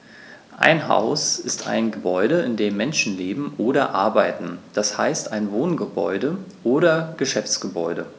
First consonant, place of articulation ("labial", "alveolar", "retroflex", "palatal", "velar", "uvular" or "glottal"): glottal